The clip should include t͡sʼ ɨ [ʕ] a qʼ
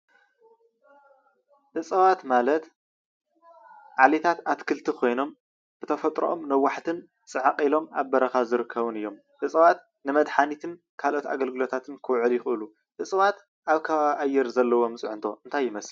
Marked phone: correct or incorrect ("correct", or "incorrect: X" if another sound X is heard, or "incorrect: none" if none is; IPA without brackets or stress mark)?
correct